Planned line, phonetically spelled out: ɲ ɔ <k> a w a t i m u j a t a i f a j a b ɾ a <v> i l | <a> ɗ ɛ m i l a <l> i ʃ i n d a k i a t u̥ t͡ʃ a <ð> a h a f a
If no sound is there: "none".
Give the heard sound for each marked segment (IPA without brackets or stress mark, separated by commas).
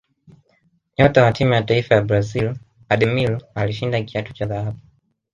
t, z, a, l, ð